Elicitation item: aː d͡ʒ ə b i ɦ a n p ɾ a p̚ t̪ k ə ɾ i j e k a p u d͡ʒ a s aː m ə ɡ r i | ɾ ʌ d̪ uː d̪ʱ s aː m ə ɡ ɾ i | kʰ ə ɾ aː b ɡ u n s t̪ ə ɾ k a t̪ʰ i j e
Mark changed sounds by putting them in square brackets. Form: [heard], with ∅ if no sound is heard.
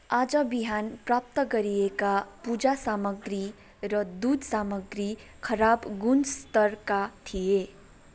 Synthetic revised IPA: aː d͡ʒ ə b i ɦ a n p ɾ a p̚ t̪ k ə ɾ i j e k a p u d͡ʒ a s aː m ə ɡ [ɾ] i | ɾ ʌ d̪ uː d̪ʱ s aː m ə ɡ ɾ i | kʰ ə ɾ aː b ɡ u n s t̪ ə ɾ k a t̪ʰ i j e